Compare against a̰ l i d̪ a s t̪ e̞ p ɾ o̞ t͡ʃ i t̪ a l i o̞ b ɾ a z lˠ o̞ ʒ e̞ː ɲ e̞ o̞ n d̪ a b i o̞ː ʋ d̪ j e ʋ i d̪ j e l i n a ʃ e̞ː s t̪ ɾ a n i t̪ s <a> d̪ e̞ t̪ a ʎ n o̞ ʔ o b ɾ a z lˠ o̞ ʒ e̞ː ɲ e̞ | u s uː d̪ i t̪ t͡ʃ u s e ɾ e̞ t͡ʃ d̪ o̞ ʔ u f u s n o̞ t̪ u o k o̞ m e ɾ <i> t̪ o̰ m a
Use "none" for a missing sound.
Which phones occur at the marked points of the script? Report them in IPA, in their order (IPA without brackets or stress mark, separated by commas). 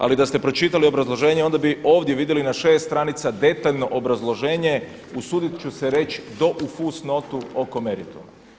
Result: a, i